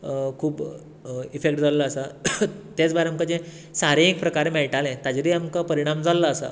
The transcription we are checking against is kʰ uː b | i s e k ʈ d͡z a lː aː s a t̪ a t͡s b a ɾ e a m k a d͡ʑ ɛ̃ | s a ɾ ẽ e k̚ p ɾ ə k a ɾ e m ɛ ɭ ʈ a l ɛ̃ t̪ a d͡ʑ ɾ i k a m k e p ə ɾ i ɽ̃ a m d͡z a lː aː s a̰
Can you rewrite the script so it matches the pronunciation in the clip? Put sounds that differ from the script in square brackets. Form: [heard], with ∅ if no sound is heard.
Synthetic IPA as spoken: kʰ uː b | i [f] e k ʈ d͡z a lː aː s a t̪ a t͡s b a ɾ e a m k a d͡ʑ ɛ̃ | s a ɾ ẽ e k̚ p ɾ ə k a ɾ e m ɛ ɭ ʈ a l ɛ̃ t̪ a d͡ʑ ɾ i [∅] a m k [a] p ə ɾ i ɽ̃ a m d͡z a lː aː s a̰